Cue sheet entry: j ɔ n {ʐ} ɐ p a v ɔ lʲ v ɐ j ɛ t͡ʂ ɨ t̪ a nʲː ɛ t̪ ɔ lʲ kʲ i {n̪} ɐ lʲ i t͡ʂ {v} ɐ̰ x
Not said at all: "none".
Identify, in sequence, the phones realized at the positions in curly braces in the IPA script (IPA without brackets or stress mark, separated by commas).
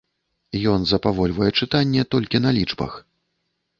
z, n̪, b